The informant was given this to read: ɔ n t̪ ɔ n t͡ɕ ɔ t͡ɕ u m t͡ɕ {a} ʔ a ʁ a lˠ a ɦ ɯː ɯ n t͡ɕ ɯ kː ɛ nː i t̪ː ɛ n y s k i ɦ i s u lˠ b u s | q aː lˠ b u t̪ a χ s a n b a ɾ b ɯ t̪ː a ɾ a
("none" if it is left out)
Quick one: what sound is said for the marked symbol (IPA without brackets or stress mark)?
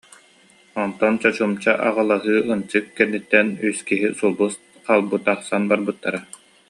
a